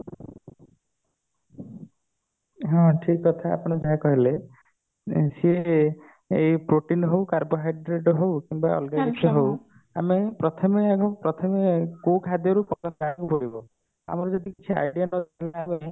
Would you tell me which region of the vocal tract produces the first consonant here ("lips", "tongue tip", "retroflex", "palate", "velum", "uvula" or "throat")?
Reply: throat